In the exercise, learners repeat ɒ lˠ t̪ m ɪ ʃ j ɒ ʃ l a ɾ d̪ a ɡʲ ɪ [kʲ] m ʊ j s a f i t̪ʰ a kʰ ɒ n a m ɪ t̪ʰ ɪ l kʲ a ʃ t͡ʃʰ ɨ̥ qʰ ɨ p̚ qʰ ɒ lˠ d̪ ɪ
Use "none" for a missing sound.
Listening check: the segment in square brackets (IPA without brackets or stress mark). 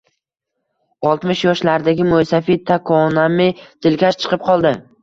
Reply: none